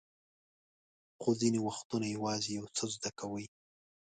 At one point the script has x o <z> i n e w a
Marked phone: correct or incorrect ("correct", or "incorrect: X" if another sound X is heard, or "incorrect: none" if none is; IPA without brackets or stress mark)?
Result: correct